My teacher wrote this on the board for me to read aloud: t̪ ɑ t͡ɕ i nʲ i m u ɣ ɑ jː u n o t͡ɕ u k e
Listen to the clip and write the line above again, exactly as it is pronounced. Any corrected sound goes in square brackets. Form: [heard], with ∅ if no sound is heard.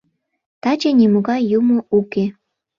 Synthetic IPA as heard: t̪ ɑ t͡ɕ [e] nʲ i m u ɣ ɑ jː u [m] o [∅] u k e